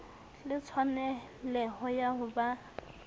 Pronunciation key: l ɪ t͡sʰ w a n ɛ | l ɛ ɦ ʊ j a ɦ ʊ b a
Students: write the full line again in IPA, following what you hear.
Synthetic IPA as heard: l ɪ t͡sʰ w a n ɛ | l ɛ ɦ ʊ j a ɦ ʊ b a